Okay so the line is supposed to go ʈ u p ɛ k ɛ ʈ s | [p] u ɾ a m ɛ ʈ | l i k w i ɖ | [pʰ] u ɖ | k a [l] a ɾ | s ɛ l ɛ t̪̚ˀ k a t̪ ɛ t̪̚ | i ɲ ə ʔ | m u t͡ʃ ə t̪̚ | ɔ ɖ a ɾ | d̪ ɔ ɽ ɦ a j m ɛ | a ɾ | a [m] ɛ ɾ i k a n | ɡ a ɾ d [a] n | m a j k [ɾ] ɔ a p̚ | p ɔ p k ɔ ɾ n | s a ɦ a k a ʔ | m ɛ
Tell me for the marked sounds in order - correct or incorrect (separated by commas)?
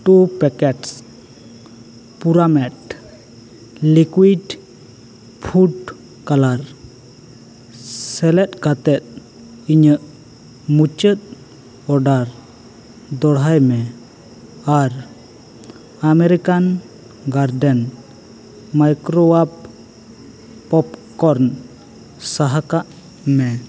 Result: correct, correct, correct, correct, incorrect, correct